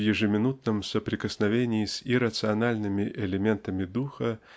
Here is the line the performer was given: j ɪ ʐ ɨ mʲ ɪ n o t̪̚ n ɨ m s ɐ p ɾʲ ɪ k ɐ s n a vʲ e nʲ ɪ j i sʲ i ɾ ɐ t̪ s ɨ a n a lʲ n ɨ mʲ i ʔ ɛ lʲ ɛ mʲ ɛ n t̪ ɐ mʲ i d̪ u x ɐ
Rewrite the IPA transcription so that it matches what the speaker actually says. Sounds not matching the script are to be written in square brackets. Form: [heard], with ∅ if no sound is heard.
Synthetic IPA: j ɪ ʐ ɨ mʲ ɪ n [u] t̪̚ n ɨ m s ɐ p ɾʲ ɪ k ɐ s n a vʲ e nʲ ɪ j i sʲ i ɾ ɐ t̪ s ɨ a n a lʲ n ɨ mʲ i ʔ ɛ lʲ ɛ mʲ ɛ n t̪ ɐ mʲ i d̪ u x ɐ